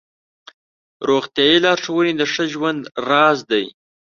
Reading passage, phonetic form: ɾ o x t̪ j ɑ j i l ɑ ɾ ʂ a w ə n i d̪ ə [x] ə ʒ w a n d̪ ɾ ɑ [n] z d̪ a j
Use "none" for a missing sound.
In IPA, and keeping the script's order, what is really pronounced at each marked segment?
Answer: ʂ, none

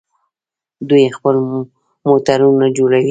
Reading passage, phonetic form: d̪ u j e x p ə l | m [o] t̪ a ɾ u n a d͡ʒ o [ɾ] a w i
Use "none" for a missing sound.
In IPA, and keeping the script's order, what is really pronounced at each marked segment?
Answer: o, ɽ

